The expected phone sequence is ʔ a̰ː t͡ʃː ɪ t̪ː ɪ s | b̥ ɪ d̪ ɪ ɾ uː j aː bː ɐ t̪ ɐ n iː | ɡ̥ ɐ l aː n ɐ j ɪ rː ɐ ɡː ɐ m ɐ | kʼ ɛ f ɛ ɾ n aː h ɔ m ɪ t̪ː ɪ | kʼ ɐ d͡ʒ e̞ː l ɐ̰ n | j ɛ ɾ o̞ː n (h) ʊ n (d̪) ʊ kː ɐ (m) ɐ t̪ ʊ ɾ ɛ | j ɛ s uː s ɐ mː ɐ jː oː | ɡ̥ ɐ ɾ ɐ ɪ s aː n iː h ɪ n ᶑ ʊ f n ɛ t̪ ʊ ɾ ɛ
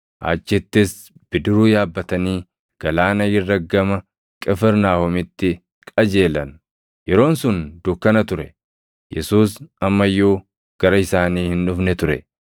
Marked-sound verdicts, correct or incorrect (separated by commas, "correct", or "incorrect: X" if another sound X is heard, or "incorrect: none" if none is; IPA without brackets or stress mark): incorrect: s, correct, incorrect: n